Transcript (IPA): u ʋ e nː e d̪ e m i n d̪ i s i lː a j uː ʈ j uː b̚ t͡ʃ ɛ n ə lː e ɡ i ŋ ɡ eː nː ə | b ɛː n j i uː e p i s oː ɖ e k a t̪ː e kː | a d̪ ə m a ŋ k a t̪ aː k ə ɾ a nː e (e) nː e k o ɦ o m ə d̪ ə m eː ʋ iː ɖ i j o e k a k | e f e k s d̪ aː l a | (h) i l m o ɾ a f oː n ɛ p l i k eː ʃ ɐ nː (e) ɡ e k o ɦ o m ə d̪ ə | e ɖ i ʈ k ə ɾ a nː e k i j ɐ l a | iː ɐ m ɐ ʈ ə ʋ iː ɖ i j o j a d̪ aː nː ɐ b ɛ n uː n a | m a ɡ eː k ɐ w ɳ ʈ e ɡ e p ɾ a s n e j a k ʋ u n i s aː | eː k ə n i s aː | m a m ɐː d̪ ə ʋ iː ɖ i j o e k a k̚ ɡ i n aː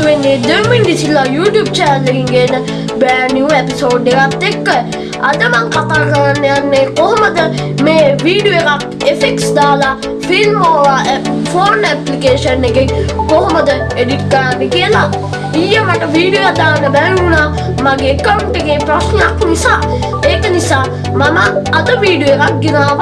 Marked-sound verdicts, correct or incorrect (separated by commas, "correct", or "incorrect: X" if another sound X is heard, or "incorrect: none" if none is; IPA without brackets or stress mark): incorrect: a, incorrect: f, correct